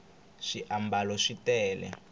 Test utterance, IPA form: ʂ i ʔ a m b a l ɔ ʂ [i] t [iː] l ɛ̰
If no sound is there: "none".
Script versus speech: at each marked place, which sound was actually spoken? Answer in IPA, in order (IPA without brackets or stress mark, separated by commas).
i, ɛː